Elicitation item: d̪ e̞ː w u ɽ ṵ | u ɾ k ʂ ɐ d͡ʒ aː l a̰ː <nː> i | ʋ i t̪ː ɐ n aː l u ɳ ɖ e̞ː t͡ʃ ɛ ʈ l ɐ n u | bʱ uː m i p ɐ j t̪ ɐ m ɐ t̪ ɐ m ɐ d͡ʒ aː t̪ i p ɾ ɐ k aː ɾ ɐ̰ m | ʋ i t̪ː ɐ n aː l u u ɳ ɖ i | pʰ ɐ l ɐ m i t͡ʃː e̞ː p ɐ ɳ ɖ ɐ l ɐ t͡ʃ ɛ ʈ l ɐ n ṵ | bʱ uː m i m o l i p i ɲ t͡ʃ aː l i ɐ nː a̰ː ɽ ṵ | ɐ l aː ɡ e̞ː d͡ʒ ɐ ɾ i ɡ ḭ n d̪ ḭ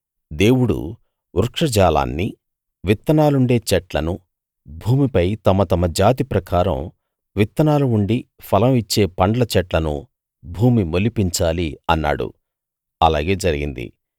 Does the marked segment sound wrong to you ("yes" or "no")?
no